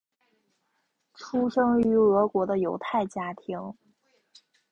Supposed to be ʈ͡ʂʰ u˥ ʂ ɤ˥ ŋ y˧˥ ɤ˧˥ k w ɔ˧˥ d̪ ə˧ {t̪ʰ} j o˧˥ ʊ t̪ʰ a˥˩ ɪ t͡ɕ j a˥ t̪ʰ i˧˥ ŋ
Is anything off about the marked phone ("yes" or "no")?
yes